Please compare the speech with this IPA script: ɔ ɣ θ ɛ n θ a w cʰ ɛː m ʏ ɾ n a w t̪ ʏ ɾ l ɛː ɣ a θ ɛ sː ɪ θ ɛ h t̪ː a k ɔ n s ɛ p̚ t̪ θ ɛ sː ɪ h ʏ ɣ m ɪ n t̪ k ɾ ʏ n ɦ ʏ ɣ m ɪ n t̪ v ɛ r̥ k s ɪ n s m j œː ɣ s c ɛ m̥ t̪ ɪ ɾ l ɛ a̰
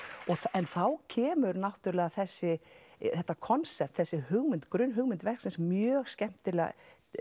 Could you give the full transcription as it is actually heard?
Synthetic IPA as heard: ɔ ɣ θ ɛ n θ a w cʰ ɛː m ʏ ɾ n a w t̪ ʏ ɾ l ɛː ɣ a θ ɛ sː ɪ θ ɛ h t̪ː a kʰ ɔ n s ɛ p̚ t̪ θ ɛ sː ɪ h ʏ ɣ m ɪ n t̪ k ɾ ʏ n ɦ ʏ ɣ m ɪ n t̪ v ɛ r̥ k s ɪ n s m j œː ɣ s c ɛ m̥ t̪ ɪ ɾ l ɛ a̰